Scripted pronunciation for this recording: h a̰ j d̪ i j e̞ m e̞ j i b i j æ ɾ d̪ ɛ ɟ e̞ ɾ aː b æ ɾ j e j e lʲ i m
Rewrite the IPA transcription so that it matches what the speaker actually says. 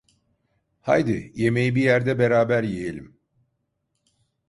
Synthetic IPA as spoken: h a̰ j d̪ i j e̞ m e̞ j i b i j æ ɾ d̪ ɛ b e̞ ɾ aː b æ ɾ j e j e lʲ i m